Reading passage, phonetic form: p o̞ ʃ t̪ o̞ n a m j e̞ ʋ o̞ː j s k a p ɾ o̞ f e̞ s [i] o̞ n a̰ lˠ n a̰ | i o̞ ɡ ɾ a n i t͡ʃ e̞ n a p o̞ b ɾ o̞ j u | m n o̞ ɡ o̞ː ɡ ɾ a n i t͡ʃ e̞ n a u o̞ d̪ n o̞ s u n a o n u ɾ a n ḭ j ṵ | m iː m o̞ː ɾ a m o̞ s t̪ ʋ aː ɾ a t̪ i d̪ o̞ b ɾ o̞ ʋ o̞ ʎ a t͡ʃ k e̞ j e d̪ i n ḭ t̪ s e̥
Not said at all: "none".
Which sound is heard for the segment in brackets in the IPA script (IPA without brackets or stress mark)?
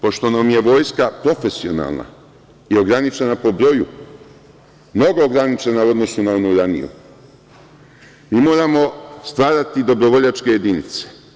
i